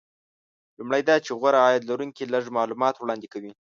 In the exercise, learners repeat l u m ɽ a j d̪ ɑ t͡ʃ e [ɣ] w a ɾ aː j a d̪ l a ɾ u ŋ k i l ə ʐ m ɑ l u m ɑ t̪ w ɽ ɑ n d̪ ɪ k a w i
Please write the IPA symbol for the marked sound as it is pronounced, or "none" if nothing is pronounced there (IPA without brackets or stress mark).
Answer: ɣ